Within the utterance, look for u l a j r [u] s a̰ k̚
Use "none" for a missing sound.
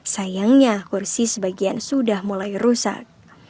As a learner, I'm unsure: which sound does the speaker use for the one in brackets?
u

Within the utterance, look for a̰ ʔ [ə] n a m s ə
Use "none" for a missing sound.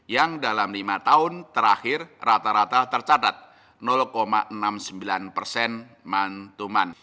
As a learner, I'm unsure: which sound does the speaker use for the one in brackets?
ə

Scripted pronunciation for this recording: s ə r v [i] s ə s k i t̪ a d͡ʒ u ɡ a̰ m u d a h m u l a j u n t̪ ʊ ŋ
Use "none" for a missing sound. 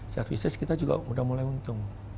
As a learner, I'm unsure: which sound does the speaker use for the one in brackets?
i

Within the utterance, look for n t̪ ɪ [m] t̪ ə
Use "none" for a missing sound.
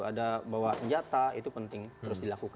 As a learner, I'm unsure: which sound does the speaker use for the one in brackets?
ŋ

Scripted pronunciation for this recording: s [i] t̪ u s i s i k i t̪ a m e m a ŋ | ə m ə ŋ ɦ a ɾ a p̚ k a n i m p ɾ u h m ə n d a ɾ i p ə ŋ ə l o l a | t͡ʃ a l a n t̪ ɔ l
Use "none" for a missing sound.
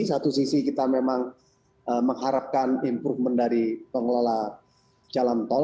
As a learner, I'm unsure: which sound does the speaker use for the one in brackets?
a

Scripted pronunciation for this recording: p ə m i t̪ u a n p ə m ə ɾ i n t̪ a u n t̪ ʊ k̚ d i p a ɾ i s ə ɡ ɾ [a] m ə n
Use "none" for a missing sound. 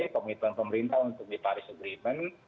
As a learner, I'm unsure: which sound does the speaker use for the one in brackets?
i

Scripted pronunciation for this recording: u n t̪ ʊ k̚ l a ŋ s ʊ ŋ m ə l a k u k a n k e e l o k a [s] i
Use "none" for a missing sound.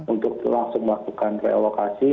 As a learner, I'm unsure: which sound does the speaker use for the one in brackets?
s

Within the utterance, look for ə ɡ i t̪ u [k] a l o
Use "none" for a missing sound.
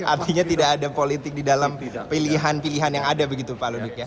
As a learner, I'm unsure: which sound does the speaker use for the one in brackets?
p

